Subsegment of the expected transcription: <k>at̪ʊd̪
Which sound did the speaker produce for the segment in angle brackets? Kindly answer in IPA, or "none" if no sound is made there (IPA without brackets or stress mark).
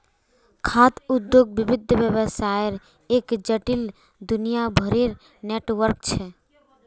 kʰ